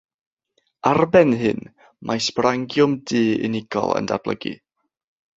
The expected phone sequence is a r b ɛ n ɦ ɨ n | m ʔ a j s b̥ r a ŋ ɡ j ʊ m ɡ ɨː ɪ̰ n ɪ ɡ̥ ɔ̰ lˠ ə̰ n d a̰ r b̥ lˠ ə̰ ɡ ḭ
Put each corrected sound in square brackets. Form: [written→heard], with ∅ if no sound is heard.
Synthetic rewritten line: a r b ɛ n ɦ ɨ n | m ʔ a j s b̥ r a ŋ ɡ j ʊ m [ɡ→d] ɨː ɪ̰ n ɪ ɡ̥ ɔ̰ lˠ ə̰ n d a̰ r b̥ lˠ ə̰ ɡ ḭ